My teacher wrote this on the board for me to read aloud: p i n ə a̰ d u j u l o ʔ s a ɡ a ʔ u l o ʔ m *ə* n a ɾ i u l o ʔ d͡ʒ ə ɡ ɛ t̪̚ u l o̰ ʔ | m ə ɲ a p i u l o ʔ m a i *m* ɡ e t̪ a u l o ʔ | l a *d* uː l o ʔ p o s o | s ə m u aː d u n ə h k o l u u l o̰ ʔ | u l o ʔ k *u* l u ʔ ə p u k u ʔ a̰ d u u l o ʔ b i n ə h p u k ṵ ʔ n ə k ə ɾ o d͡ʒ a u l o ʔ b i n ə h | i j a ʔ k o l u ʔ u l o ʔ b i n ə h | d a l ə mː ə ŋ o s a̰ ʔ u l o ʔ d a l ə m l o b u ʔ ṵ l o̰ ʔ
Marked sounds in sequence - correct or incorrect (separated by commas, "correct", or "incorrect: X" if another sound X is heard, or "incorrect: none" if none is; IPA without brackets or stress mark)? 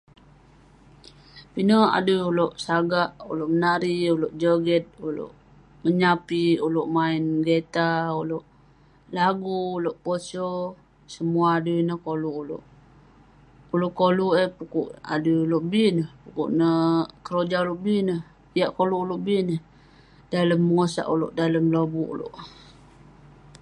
correct, incorrect: n, incorrect: ɡ, incorrect: o